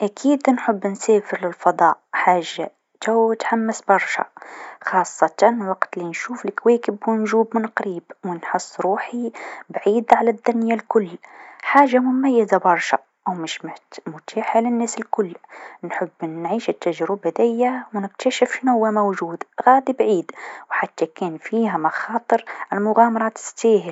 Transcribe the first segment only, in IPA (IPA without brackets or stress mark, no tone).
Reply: ʔ